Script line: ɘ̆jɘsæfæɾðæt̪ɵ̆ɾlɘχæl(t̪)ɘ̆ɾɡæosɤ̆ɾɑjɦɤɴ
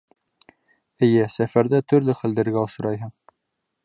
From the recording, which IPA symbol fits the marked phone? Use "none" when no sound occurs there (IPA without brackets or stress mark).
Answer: d̪